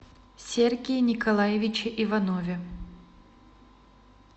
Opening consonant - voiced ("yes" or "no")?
no